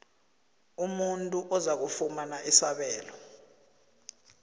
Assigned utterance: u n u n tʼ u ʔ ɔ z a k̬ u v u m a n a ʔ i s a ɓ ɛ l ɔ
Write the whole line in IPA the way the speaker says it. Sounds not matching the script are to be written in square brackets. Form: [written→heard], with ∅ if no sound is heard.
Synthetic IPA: u [n→m] u n tʼ u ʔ ɔ z a k̬ u [v→f] u m a n a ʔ i s a ɓ [ɛ→ɛː] l ɔ